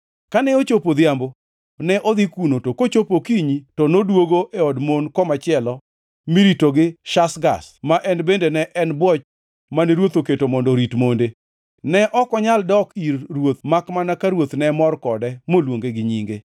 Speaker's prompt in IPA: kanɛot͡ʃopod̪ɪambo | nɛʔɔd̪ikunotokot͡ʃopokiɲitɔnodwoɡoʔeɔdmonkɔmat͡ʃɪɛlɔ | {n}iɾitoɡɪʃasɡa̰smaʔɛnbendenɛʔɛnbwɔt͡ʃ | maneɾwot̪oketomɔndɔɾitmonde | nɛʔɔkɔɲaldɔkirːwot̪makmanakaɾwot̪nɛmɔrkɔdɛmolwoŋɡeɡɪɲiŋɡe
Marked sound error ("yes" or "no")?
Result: yes